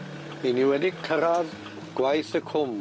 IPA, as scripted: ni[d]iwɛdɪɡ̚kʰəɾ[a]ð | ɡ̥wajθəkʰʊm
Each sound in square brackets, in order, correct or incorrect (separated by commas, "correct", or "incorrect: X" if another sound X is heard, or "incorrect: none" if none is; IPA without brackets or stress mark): incorrect: n, correct